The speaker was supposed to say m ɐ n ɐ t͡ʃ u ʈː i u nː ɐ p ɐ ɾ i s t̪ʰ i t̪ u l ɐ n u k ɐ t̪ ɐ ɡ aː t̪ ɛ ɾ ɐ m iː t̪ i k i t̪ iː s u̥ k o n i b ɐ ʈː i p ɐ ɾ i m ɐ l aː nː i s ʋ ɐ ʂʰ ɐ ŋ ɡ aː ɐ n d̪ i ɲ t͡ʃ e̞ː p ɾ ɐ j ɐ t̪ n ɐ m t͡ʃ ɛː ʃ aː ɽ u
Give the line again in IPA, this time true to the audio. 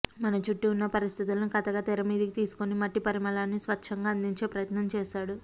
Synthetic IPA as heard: m ɐ n ɐ t͡ʃ u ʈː i u nː ɐ p ɐ ɾ i s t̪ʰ i t̪ u l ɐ n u k ɐ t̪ ɐ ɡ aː t̪ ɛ ɾ ɐ m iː d̪ i k i t̪ iː s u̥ k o n i m ɐ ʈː i p ɐ ɾ i m ɐ l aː nː i s ʋ ɐ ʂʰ ɐ ŋ ɡ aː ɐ n d̪ i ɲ t͡ʃ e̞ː p ɾ ɐ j ɐ t̪ n ɐ m t͡ʃ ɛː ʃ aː ɽ u